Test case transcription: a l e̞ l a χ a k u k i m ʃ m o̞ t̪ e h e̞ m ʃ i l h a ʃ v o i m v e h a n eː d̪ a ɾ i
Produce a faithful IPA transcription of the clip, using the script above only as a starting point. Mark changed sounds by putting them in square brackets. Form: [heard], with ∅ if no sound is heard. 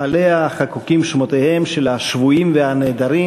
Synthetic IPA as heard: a l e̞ [∅] a χ a k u k i m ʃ m o̞ t̪ e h e̞ m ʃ [e] l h a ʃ v [u] i m v e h a n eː d̪ a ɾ i